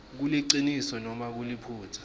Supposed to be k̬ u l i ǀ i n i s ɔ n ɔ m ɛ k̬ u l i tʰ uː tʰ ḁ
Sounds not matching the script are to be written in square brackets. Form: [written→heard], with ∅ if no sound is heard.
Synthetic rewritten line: k̬ u l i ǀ i n i s ɔ n ɔ m [ɛ→a] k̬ u l i [tʰ→pʰ] uː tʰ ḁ